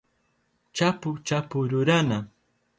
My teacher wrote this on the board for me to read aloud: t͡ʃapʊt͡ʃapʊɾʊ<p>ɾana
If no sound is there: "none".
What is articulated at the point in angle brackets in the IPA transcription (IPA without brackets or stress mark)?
none